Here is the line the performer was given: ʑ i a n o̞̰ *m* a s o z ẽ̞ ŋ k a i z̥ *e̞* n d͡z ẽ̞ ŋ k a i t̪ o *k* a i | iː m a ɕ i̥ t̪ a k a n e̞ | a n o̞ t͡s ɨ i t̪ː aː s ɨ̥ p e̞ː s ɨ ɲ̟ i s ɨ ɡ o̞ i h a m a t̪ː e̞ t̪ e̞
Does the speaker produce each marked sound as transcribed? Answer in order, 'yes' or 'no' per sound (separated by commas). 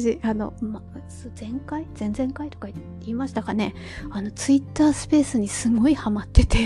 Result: yes, no, yes